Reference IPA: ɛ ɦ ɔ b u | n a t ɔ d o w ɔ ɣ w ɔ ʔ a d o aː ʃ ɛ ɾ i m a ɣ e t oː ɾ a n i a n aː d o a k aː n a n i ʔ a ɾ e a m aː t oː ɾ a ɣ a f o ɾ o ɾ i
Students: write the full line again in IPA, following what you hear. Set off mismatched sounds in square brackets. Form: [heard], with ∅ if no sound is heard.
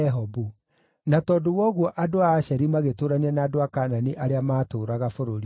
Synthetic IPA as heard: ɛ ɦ ɔ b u | n a t ɔ d o w ɔ ɣ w ɔ ʔ a d o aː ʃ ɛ ɾ i m a ɣ e t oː ɾ a n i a n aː d o a k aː n a n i ʔ a ɾ e a m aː t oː ɾ a ɣ a f o ɾ o ɾ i